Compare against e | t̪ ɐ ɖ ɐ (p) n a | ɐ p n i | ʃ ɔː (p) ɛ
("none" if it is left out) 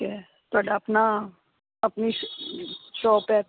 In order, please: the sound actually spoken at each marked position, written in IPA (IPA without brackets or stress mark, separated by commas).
p, p